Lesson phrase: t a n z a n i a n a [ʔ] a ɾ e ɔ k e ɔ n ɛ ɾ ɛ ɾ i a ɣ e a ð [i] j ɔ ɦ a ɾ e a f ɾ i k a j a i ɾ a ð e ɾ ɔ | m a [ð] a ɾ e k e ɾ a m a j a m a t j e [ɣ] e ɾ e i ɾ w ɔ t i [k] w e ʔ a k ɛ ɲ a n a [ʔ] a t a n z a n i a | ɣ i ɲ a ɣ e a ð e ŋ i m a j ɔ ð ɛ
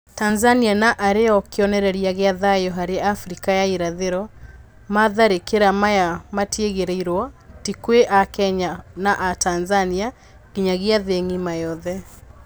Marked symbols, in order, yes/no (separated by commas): yes, no, yes, yes, yes, yes